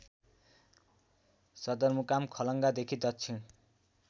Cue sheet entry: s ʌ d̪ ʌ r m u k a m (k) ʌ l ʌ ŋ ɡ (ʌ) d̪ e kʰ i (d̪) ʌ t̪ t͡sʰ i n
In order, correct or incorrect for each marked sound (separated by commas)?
incorrect, incorrect, correct